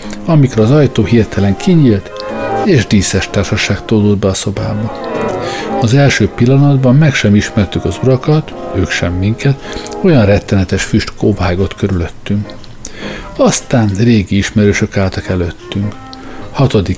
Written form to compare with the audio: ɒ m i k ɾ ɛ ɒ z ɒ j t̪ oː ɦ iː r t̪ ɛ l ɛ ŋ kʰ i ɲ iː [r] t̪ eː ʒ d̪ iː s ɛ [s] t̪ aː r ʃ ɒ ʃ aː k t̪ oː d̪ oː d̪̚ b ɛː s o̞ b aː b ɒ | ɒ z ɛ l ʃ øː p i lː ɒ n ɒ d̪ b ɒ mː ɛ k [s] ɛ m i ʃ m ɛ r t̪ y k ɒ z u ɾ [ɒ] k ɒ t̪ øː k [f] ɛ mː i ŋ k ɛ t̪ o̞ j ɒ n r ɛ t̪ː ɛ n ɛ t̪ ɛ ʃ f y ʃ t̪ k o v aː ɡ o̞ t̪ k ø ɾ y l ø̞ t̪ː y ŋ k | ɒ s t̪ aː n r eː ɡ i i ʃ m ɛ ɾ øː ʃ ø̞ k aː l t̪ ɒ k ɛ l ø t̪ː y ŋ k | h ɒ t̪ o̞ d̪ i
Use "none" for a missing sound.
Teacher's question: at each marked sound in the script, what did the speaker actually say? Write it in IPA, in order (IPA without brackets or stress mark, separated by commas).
l, ʃ, ʃ, ɒ, ʃ